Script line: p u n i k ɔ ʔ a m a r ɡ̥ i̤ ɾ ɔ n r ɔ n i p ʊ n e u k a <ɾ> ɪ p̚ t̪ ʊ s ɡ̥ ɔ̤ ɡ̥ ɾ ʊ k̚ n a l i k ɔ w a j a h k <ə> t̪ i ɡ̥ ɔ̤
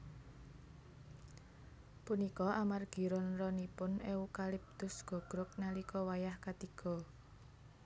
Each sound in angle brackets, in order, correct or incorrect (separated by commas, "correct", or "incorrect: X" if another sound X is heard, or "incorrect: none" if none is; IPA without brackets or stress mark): incorrect: l, incorrect: a